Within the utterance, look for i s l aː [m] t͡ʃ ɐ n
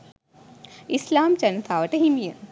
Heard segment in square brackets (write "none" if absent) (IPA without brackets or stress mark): m